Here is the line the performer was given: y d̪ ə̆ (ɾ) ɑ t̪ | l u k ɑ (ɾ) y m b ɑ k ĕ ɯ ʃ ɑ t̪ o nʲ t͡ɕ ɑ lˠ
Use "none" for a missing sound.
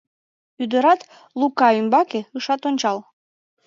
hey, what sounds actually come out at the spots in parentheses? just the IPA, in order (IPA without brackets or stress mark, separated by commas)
ɾ, none